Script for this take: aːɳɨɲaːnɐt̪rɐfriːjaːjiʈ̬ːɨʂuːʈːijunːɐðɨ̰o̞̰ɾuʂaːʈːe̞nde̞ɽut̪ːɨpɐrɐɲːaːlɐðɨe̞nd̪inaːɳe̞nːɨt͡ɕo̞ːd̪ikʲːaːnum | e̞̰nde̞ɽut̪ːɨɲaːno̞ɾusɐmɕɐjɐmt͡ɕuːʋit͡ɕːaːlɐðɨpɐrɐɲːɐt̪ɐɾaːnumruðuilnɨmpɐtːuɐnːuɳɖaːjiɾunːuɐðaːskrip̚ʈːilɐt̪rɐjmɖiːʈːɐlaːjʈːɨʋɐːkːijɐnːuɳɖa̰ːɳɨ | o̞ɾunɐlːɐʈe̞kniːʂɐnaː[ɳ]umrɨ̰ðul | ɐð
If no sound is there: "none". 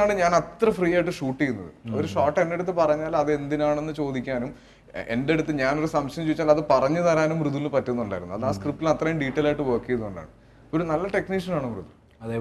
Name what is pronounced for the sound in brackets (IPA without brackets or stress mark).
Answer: ɳ